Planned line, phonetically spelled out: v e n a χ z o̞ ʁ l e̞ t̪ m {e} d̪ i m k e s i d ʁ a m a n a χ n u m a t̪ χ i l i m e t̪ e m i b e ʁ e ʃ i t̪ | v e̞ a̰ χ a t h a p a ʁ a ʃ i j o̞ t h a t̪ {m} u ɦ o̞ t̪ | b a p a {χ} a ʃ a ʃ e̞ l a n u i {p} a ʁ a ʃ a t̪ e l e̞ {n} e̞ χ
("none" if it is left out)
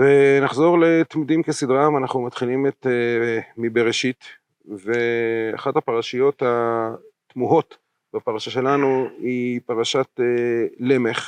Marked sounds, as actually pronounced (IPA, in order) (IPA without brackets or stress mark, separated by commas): i, m, ʁ, p, m